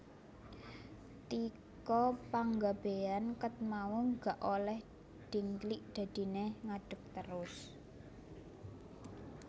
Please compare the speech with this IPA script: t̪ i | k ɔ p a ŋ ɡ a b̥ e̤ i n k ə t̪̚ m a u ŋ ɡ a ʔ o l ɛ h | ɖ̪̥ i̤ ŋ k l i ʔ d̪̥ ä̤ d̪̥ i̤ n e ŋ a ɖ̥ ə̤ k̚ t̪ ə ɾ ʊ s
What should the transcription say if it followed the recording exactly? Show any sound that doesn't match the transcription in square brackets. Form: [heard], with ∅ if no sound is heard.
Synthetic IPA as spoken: t̪ i | k ɔ p a ŋ ɡ a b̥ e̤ [a] n k ə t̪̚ m a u ŋ ɡ a ʔ o l ɛ h | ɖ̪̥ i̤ ŋ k l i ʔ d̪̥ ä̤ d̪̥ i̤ n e ŋ a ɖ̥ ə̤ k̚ t̪ ə ɾ ʊ s